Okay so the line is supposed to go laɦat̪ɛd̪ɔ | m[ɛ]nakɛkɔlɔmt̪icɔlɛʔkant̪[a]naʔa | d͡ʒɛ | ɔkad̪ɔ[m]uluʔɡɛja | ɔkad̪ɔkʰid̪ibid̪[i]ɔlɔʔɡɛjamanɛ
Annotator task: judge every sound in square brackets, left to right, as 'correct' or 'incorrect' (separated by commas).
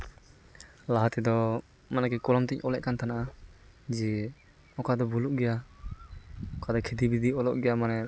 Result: incorrect, correct, incorrect, correct